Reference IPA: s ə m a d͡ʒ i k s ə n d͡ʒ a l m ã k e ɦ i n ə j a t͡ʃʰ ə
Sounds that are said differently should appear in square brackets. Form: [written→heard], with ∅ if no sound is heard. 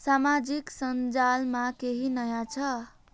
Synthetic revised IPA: s [ə→a] m a d͡ʒ i k s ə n d͡ʒ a l m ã k e ɦ i n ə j a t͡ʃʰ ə